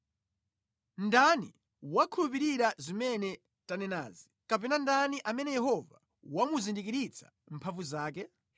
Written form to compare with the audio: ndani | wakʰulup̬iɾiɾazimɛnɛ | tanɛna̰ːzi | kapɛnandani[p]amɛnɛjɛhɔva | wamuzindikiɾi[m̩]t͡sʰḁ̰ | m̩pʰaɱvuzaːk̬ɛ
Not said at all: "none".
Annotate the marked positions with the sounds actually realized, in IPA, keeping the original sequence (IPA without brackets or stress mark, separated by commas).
ʔ, none